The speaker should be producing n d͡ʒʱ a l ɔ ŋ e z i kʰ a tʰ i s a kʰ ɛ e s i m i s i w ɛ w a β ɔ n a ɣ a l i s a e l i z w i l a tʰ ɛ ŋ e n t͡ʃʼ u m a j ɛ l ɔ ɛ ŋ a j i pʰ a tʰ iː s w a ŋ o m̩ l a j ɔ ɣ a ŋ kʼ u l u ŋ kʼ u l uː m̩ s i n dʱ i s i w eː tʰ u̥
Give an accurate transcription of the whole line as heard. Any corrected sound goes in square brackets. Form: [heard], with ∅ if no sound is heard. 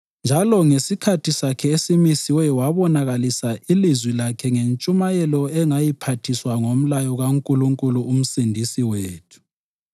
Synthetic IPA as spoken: n d͡ʒʱ a l ɔ ŋ e [s] i kʰ a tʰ i s a kʰ ɛ e s i m i s i w ɛ w a β ɔ n a ɣ a l i s a [i] l i z w i l a [kʰ] ɛ ŋ e n t͡ʃʼ u m a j ɛ l ɔ ɛ ŋ a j i pʰ a tʰ [i] s w a ŋ o m̩ l a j ɔ ɣ a ŋ kʼ u l u ŋ kʼ u l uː m̩ s i n dʱ i s i w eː tʰ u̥